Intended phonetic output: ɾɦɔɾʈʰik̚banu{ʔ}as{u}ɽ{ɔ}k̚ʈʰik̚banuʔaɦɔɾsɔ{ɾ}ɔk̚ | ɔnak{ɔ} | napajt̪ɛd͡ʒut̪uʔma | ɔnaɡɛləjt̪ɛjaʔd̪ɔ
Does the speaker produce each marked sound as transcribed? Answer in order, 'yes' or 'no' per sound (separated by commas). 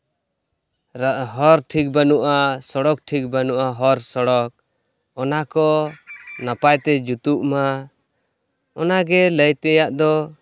yes, no, yes, no, yes